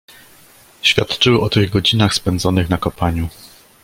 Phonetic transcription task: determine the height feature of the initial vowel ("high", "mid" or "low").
low